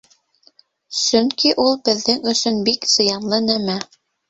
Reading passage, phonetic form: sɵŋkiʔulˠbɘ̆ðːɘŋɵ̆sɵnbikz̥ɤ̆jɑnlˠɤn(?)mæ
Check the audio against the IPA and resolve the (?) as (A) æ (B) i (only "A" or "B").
A